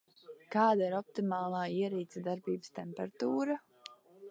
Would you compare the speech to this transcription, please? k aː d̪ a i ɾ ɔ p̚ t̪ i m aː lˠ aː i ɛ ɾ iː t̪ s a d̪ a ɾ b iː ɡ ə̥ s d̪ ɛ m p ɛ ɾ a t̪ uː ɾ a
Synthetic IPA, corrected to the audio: k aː d̪ a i ɾ ɔ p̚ t̪ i m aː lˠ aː i ɛ ɾ iː t̪ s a d̪ a ɾ b iː b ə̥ s t̪ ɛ m p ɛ ɾ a t̪ uː ɾ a